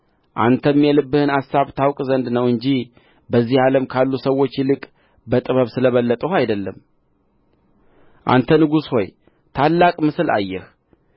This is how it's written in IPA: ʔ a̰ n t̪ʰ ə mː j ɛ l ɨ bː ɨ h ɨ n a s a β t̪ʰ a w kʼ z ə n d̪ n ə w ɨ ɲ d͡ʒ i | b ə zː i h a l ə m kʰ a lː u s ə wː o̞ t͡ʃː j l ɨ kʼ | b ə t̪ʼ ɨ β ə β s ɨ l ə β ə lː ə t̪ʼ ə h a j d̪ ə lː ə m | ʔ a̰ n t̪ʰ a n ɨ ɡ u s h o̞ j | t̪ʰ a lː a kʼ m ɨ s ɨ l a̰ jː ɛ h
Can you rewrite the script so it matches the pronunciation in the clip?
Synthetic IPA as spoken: ʔ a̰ n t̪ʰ ə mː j ɛ l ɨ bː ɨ h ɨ n a s a β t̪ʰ a w kʼ z ə n d̪ n ə w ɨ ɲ d͡ʒ i | b ə zː i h a l ə m kʰ a lː u s ə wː o̞ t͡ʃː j l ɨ kʼ | b ə t̪ʼ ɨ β ə β s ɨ l ə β ə lː ə t̪ʼ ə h a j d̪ ə lː ə m | ʔ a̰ n t̪ʰ ə n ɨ ɡ u s h o̞ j | t̪ʰ a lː a kʼ m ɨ s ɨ l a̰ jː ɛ h